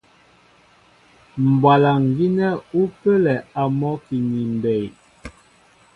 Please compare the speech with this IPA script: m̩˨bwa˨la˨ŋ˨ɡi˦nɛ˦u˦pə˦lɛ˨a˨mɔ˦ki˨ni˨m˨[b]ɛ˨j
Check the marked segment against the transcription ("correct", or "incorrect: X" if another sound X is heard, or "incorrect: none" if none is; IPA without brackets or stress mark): correct